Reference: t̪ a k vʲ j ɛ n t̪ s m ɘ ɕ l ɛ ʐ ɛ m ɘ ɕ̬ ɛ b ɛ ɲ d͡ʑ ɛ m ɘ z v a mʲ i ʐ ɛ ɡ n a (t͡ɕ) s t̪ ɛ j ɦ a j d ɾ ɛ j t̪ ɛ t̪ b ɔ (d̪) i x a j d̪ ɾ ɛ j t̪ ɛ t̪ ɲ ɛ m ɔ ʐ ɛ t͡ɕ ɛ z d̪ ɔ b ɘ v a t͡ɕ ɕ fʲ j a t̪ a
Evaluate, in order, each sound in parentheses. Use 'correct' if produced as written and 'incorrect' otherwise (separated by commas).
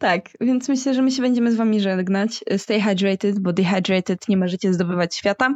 correct, correct